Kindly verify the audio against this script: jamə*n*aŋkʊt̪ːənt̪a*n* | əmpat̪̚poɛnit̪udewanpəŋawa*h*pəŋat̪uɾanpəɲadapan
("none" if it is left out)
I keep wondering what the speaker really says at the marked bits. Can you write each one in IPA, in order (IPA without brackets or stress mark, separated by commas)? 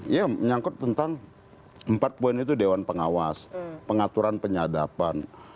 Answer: ɲ, ŋ, s